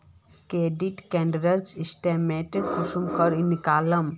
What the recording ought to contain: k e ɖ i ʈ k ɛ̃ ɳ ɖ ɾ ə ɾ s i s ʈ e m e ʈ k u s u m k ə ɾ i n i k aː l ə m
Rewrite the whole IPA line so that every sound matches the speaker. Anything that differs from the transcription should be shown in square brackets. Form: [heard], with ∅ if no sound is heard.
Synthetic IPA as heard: k e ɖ i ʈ k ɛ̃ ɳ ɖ ɾ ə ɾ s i s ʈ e m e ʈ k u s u m k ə ɾ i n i k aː l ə m